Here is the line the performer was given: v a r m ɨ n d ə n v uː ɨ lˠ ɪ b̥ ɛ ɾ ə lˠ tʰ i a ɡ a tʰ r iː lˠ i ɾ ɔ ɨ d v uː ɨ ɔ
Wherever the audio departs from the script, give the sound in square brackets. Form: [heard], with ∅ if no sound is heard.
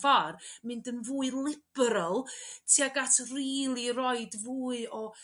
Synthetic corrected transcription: v a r m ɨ n d ə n v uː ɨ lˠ ɪ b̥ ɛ ɾ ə lˠ tʰ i a ɡ a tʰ r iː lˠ i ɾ ɔ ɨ d v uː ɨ ɔ